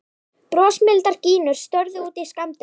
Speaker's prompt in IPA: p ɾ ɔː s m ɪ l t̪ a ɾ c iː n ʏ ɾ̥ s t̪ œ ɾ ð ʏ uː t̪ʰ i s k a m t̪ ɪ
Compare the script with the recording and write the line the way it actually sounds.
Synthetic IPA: p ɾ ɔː s m ɪ l t̪ a ɾ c iː n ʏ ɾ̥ s t̪ œ ɾ ð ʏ uː t̪ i s k a m t̪ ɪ